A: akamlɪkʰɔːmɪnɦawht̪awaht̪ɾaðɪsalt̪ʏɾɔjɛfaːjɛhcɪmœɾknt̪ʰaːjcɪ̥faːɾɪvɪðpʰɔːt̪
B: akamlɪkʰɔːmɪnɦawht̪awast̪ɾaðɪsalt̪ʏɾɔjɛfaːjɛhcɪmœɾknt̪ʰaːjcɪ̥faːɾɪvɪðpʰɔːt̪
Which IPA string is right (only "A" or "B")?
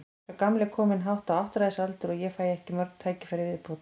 A